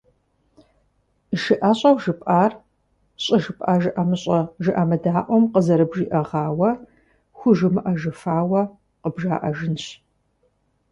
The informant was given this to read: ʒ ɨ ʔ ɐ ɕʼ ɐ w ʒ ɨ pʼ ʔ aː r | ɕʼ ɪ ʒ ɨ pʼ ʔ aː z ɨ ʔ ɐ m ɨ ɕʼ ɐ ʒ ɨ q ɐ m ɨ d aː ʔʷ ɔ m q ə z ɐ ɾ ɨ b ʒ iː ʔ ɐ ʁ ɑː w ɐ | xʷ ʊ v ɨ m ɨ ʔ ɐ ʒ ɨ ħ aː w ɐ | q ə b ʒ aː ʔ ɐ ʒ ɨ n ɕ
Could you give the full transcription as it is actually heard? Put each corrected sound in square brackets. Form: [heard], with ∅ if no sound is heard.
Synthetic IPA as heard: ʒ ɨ ʔ ɐ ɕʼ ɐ w ʒ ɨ pʼ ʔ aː r | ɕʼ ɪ ʒ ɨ pʼ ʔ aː [ʒ] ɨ ʔ ɐ m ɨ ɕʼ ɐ ʒ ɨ [ʔ] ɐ m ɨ d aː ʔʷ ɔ m q ə z ɐ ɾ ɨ b ʒ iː ʔ ɐ ʁ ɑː w ɐ | xʷ ʊ [ʒ] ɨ m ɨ ʔ ɐ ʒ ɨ [f] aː w ɐ | q ə b ʒ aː ʔ ɐ ʒ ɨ n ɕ